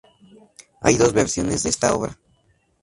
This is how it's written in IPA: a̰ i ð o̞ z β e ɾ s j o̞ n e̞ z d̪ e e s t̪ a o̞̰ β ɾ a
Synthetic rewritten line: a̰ j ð o̞ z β e ɾ s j o̞ n e̞ z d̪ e e s t̪ a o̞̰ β ɾ a